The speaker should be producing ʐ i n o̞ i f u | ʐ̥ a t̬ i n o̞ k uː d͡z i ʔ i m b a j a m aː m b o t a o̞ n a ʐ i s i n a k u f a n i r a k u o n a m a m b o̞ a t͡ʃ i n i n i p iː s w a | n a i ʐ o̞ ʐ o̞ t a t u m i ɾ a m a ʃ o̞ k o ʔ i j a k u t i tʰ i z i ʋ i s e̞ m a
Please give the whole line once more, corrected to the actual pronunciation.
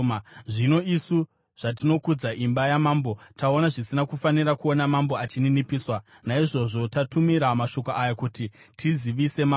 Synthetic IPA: ʐ i n o̞ i s u | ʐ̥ a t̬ i n o̞ k u d͡z a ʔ i m b a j a m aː m b o t a o̞ n a ʐ i s i n a k u f a n i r a k u o n a m a m b o̞ a t͡ʃ i n i n i p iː s w a | n a i ʐ o̞ ʐ o̞ t a t u m i ɾ a m a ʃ o̞ k o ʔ a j a k u t i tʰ i z i ʋ i s e̞ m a

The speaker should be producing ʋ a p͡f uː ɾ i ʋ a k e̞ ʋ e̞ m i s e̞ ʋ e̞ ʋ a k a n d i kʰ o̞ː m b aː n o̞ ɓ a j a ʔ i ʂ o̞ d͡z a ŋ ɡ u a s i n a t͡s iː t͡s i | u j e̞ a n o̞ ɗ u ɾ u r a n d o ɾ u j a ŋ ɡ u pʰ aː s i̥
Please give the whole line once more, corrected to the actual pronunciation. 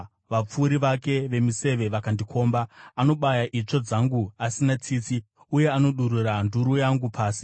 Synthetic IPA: ʋ a p͡f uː ɾ i ʋ a k e̞ ʋ e̞ m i s e̞ ʋ e̞ ʋ a k a n d i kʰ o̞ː m b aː n o̞ ɓ a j a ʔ i t͡ʂ o̞ d͡z a ŋ ɡ u a s i n a t͡s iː t͡s i | u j e̞ a n o̞ ɗ u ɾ u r a n d u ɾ u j a ŋ ɡ u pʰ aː s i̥

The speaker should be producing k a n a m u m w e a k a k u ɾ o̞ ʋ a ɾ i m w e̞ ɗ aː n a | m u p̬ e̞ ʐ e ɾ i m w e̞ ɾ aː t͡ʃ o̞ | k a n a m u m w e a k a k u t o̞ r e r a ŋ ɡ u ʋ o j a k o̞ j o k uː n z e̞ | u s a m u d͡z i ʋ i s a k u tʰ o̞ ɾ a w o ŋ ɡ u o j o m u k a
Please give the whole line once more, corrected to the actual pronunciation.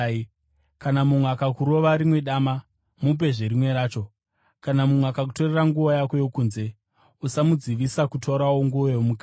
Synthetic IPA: k a n a m u m w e a k a k u ɾ o̞ ʋ a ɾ i m w e̞ ɗ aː m a | m u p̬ e̞ ʐ e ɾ i m w e̞ ɾ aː t͡ʃ o̞ | k a n a m u m w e a k a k u t o̞ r e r a ŋ ɡ u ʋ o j a k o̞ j o k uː n z e̞ | u s a m u d͡z i ʋ i s a k u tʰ o̞ ɾ a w o ŋ ɡ u o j o m u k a

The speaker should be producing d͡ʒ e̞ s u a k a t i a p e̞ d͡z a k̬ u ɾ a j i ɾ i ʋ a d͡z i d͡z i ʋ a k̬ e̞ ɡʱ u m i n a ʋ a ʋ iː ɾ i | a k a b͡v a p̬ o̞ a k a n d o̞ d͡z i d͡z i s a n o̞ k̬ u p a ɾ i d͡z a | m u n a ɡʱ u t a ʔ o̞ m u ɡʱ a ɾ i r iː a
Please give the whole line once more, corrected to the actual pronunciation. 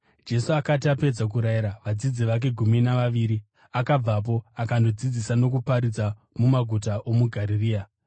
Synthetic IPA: d͡ʒ e̞ s u a k a t i a p e̞ d͡z a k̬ u ɾ a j i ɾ a ʋ a d͡z i d͡z i ʋ a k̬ e̞ ɡʱ u m i n a ʋ a ʋ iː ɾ i | a k a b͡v a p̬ o̞ a k a n d o̞ d͡z i d͡z i s a n o̞ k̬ u p a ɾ i d͡z a | m u m a ɡʱ u t a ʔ o̞ m u ɡʱ a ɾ i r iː a

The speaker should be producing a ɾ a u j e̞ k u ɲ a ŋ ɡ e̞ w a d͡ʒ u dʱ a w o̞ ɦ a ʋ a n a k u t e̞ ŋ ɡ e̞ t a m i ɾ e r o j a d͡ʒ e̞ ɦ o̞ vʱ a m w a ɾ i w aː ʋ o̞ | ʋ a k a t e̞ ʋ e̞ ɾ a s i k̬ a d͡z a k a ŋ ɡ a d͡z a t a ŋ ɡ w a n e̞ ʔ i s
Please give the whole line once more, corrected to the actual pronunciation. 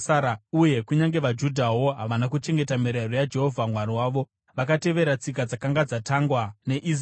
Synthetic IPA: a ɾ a u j e̞ k u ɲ a ŋ ɡ e̞ ʋ a d͡ʒ u dʱ a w o̞ ɦ a ʋ a n a k u t͡ʃ e̞ ŋ ɡ e̞ t a m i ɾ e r o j a d͡ʒ e̞ ɦ o̞ vʱ a m w a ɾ i w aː ʋ o̞ | ʋ a k a t e̞ ʋ e̞ ɾ a t͡s i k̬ a d͡z a k a ŋ ɡ a d͡z a t a ŋ ɡ w a n e̞ ʔ i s

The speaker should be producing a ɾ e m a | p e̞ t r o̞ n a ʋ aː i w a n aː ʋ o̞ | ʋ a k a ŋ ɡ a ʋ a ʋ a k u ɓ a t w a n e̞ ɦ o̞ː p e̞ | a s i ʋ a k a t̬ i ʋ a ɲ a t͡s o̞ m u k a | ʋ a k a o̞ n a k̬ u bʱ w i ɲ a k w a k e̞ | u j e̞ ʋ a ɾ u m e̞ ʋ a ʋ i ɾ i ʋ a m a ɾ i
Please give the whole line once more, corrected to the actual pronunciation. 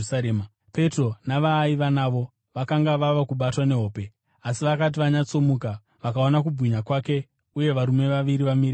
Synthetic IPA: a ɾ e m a | p e̞ t r o̞ n a ʋ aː i ʋ a n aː ʋ o̞ | ʋ a k a ŋ ɡ a ʋ a ʋ a k u ɓ a t w a n e̞ ɦ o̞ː p e̞ | a s i ʋ a k a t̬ i ʋ a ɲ a t͡s o̞ m u k a | ʋ a k a o̞ n a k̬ u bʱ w i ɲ a k w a k e̞ | u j e̞ ʋ a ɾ u m e̞ ʋ a ʋ i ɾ i ʋ a m i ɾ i

